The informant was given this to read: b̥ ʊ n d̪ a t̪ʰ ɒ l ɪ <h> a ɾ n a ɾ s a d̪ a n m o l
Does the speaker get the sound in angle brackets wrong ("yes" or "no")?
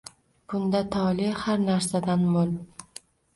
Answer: no